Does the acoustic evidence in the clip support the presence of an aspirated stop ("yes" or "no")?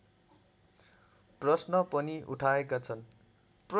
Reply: yes